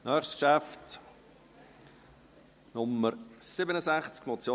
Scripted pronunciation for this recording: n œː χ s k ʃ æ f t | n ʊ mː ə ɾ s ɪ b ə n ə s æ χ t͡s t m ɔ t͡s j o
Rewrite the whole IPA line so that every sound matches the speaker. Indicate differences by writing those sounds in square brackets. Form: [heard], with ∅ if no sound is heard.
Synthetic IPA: n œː χ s k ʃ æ f t | n ʊ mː ə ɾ s ɪ b ə n ə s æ χ t͡s [k] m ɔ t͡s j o